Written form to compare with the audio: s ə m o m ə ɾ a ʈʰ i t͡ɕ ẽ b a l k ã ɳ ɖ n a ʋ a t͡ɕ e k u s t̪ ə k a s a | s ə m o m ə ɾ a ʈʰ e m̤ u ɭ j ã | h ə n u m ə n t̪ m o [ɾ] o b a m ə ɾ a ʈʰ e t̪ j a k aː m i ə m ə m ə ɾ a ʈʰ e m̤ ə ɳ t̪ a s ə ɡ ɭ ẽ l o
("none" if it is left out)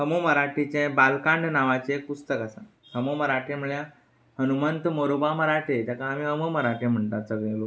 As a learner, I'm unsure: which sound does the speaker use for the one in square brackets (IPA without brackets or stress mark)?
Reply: ɾ